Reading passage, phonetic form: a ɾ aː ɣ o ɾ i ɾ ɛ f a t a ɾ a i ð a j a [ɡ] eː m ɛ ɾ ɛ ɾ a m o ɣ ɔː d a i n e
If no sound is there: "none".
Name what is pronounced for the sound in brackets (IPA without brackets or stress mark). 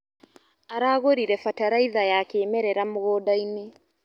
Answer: k